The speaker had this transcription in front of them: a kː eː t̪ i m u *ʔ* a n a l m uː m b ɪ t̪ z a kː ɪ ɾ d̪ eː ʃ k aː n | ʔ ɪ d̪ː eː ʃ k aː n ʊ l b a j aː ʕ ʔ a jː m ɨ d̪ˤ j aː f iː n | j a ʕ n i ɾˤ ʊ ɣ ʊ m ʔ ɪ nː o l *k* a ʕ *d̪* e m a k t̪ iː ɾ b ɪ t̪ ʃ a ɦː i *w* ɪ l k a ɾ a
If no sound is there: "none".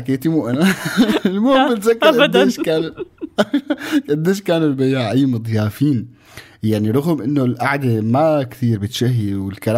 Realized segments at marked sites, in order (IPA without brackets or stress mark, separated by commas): ʔ, ʔ, d̪, w